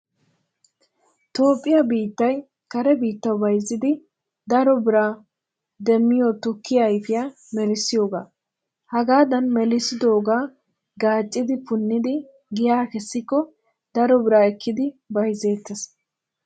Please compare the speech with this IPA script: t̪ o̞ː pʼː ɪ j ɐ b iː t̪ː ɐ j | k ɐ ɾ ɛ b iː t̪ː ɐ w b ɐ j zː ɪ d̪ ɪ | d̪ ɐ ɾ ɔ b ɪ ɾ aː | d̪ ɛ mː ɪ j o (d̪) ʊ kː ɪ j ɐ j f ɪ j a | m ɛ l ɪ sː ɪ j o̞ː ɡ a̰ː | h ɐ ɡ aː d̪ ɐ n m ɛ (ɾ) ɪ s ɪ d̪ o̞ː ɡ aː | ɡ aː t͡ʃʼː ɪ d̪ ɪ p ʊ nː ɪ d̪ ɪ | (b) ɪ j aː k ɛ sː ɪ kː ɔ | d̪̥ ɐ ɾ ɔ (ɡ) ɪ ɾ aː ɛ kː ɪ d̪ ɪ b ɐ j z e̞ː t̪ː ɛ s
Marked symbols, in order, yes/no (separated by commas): no, no, no, no